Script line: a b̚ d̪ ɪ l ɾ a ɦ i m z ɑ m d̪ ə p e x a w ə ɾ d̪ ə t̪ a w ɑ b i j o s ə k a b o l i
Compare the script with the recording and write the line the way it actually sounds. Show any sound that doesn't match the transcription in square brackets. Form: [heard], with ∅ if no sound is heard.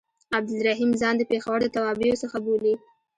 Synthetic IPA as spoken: a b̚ d̪ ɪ l ɾ a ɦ i m z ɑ [n] d̪ ə p e x a w ə ɾ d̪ ə t̪ a w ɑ b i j o s ə [x] a b o l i